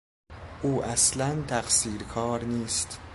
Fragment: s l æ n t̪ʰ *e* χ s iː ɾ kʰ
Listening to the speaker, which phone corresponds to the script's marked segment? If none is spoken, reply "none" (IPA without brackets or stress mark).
æ